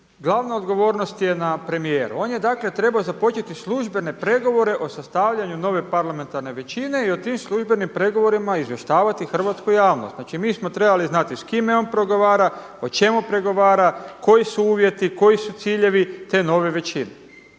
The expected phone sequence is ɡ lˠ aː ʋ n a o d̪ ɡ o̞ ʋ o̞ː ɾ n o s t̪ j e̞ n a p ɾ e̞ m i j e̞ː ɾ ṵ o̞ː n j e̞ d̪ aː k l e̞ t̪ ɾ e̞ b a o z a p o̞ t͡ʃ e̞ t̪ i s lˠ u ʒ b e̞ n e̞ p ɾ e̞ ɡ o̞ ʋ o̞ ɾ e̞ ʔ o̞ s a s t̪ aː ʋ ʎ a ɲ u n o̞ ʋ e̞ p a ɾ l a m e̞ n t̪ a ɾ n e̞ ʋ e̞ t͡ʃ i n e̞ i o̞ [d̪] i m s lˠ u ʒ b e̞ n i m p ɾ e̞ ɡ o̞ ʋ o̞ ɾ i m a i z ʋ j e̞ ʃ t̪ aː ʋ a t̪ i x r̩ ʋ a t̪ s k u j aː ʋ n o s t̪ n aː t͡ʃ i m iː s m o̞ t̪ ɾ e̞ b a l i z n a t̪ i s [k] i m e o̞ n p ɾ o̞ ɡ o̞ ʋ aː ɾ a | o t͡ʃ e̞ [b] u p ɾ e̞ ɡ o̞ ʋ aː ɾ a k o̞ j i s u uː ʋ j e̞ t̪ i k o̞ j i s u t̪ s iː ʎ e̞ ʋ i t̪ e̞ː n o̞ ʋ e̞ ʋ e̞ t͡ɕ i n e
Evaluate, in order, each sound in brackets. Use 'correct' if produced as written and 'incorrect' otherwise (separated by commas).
incorrect, correct, incorrect